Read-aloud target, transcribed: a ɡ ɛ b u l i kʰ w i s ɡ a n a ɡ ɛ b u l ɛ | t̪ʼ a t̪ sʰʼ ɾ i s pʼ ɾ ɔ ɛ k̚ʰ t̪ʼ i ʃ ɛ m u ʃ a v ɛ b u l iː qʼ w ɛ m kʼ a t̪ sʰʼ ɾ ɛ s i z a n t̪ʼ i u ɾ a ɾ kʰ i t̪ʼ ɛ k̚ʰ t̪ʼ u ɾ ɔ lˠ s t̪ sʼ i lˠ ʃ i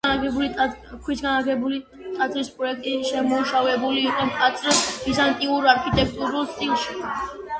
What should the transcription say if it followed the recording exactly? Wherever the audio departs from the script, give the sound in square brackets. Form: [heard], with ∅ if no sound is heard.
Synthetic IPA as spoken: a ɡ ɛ b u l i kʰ w i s ɡ a n a ɡ ɛ b u l [i] | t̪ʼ a t̪ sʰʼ ɾ i s pʼ ɾ ɔ ɛ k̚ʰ t̪ʼ i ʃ ɛ m u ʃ a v ɛ b u l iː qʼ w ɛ m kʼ a t̪ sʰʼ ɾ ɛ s i z a n t̪ʼ i u ɾ a ɾ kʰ i t̪ʼ ɛ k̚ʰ t̪ʼ u ɾ [u] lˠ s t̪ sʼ i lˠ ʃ i